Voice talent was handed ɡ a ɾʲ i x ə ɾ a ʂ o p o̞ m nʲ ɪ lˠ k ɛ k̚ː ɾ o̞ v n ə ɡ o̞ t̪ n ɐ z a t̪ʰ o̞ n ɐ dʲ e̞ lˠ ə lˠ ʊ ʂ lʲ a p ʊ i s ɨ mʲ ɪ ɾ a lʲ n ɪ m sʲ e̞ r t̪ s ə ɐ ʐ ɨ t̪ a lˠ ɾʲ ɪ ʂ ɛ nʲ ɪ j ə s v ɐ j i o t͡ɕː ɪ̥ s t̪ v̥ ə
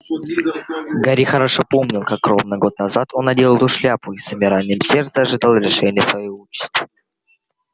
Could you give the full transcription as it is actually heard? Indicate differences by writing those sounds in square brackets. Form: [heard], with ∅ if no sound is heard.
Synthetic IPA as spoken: ɡ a ɾʲ i x ə ɾ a ʂ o p o̞ m nʲ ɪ lˠ k [a] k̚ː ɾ o̞ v n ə ɡ o̞ t̪ n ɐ z a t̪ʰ o̞ n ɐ dʲ e̞ lˠ ə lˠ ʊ ʂ lʲ a p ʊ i s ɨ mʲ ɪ ɾ a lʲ n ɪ m sʲ e̞ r t̪ s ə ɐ ʐ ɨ [d̪] a lˠ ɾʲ ɪ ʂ ɛ nʲ ɪ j ə s v ɐ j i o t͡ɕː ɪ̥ s t̪ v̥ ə